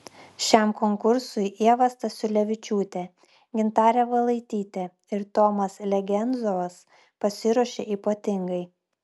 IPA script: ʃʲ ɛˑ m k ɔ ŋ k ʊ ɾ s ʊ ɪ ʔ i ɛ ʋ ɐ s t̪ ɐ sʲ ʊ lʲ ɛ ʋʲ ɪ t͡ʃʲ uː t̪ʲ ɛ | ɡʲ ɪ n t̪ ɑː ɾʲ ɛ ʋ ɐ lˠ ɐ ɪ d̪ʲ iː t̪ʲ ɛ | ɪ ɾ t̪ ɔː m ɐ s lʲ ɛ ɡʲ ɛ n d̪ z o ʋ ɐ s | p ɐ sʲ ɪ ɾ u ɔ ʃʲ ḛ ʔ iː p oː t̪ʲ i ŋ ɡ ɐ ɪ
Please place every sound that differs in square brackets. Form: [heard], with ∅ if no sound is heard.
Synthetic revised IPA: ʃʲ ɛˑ m k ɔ ŋ k ʊ ɾ s ʊ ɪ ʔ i ɛ ʋ ɐ s t̪ ɐ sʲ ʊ lʲ ɛ ʋʲ ɪ t͡ʃʲ uː t̪ʲ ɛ | ɡʲ ɪ n t̪ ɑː ɾʲ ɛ ʋ ɐ lˠ ɐ ɪ [t̪ʲ] iː t̪ʲ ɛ | ɪ ɾ t̪ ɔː m ɐ s lʲ ɛ ɡʲ ɛ n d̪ z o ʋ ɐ s | p ɐ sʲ ɪ ɾ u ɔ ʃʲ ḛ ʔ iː p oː t̪ʲ [ɪ] ŋ ɡ ɐ ɪ